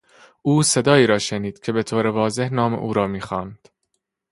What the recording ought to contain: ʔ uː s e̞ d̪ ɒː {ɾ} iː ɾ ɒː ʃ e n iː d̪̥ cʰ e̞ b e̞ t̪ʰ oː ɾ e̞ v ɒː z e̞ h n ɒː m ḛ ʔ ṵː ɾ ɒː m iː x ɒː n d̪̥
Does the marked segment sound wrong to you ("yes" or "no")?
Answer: yes